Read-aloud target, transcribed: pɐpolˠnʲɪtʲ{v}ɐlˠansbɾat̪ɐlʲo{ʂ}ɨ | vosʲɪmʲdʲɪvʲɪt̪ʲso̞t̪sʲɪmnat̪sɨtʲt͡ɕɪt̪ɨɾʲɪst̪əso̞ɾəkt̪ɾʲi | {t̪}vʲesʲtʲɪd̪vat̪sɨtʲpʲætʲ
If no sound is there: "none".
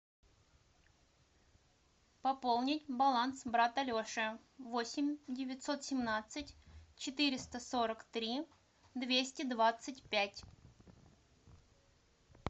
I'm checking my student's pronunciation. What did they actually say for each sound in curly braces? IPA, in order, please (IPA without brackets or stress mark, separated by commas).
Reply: b, ʂ, d̪